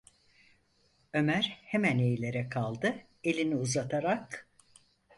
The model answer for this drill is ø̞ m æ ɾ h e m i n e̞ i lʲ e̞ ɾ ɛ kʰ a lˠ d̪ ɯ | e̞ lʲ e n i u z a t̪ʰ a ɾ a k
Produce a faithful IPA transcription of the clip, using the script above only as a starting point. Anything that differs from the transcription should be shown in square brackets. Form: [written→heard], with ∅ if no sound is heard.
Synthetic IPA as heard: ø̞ m æ ɾ h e m [i→æ] n e̞ [i→j] lʲ e̞ ɾ ɛ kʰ a lˠ d̪ ɯ | e̞ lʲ [e→i] n i u z a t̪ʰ a ɾ a k

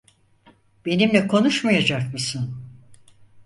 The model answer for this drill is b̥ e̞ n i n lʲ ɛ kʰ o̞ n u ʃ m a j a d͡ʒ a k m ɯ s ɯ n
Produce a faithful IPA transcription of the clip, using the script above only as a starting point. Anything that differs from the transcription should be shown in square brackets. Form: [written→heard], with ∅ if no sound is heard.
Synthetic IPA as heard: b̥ e̞ n i [n→m] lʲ ɛ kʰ o̞ n u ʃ m a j a d͡ʒ a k m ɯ s ɯ n

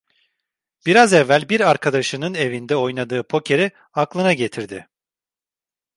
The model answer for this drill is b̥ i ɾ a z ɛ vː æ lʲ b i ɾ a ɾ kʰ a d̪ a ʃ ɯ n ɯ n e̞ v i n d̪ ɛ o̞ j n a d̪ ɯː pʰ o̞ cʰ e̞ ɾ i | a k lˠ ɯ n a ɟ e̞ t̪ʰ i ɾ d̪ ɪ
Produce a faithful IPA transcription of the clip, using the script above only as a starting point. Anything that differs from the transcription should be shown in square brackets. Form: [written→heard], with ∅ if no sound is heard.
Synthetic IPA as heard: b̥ i ɾ a z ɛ vː æ lʲ b i ɾ a ɾ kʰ a d̪ a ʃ ɯ n ɯ n e̞ v i n d̪ ɛ o̞ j n a d̪ ɯː pʰ o̞ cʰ e̞ ɾ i | a k lˠ ɯ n a ɟ e̞ t̪ʰ i ɾ d̪ ɪ

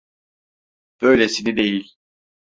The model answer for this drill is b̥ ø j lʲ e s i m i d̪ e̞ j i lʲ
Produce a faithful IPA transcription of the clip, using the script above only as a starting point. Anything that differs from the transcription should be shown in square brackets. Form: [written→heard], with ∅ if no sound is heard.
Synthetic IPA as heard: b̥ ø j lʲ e s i [m→n] i d̪ e̞ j i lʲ

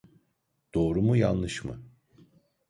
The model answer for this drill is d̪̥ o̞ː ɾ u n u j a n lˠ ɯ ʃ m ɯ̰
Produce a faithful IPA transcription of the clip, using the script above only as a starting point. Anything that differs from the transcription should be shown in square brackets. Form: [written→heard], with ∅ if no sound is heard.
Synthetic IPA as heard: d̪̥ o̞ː ɾ u [n→m] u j a n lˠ ɯ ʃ m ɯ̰

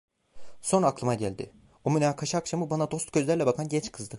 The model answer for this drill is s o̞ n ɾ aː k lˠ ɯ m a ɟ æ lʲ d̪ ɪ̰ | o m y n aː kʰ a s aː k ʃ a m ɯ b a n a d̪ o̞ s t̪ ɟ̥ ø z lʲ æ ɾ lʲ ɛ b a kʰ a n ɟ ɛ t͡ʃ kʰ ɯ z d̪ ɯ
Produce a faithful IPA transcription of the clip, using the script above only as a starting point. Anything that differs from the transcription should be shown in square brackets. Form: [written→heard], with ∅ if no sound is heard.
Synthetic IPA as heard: s o̞ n ɾ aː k lˠ ɯ m a ɟ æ lʲ d̪ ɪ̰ | o m y n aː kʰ a [s→ʃ] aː k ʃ a m ɯ b a n a d̪ o̞ s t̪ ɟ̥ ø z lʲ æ ɾ lʲ ɛ b a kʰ a n ɟ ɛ t͡ʃ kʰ ɯ z d̪ ɯ

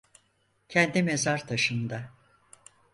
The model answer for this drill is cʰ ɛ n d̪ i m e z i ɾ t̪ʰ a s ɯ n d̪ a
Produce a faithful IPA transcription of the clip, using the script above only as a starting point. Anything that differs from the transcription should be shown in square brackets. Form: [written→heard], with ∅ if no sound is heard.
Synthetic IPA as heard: cʰ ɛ n d̪ i m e z [i→a] ɾ t̪ʰ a [s→ʃ] ɯ n d̪ a

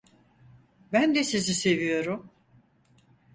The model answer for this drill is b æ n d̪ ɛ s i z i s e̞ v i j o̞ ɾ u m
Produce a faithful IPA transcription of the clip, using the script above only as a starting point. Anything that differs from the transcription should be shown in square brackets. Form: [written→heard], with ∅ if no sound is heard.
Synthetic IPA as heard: b æ n d̪ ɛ s i z i s e̞ v i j o̞ ɾ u m

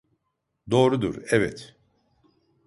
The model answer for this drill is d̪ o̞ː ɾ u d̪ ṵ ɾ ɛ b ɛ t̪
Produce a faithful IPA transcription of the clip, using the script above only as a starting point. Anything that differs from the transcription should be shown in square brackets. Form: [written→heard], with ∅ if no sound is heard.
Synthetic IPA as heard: d̪ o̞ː ɾ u d̪ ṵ ɾ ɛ [b→v] ɛ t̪

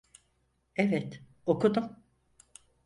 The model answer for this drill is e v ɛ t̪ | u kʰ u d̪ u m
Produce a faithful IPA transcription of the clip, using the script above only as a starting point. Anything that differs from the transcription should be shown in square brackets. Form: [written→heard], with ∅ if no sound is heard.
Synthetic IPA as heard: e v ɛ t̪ | [u→o] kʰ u d̪ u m

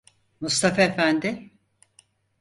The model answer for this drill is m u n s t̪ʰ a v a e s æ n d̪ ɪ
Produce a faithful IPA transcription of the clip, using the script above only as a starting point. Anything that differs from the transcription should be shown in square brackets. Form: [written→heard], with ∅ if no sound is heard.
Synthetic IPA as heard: m u [n→∅] s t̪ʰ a [v→f] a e [s→f] æ n d̪ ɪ

